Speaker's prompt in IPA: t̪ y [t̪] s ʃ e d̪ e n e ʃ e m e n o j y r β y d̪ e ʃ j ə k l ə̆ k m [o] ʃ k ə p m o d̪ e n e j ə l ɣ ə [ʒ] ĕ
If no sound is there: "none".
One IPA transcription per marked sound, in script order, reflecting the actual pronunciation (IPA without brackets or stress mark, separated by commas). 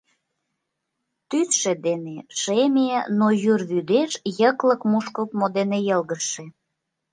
none, u, ʃ